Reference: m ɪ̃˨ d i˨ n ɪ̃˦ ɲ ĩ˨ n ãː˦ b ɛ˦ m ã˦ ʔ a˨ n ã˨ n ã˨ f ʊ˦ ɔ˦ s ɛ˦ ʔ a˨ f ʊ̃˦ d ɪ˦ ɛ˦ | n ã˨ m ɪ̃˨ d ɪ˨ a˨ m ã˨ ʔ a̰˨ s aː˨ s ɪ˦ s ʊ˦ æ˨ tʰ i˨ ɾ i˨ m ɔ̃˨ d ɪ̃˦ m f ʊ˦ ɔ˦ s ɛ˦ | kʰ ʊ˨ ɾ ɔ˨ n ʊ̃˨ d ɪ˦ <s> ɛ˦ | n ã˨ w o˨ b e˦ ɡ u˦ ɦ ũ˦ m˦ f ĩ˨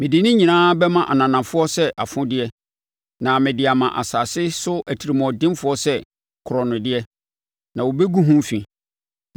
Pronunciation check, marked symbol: incorrect: none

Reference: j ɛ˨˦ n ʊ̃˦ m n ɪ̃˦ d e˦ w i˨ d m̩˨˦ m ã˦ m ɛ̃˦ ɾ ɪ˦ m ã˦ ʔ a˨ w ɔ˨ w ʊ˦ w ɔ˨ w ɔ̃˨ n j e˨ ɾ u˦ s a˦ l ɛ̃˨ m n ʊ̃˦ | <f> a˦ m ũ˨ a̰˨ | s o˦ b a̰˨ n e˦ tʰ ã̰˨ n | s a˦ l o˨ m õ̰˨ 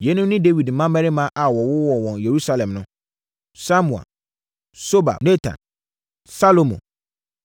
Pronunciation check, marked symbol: incorrect: s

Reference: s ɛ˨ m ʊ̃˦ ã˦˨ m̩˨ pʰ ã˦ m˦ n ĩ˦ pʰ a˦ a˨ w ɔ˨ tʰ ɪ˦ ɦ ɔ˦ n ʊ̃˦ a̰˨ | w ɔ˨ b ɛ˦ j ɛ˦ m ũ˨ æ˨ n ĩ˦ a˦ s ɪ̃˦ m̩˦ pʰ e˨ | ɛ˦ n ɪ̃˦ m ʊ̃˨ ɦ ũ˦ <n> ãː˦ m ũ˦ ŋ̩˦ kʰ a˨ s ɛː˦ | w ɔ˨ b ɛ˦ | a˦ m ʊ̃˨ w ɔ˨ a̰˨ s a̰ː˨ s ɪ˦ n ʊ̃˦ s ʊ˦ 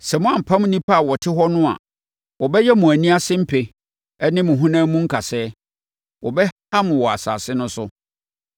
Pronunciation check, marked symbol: correct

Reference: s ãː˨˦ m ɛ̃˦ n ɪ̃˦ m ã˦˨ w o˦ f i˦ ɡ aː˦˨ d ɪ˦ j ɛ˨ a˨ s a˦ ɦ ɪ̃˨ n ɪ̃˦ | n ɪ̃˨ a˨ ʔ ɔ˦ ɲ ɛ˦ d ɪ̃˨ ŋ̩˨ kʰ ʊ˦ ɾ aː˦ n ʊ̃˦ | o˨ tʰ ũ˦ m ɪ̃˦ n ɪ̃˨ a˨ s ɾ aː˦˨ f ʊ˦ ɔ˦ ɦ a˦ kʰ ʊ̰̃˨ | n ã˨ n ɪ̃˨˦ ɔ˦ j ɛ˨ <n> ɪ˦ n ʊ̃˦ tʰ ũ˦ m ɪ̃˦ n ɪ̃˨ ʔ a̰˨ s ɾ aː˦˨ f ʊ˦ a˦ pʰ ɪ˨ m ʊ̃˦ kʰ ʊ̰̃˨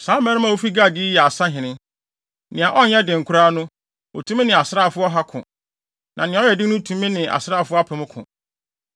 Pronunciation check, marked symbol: incorrect: d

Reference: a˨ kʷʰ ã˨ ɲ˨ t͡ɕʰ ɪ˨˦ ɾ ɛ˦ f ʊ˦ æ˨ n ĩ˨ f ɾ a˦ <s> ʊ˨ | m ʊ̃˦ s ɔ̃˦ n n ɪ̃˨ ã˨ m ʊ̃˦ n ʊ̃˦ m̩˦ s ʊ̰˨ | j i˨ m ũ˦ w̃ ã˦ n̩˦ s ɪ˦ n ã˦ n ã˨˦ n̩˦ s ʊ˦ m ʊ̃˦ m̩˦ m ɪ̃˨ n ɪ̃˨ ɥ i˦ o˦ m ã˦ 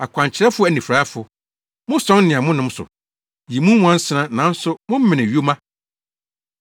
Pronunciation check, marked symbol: incorrect: f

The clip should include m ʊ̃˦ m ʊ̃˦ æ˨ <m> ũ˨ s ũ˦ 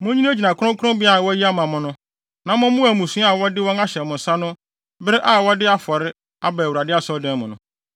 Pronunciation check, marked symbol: correct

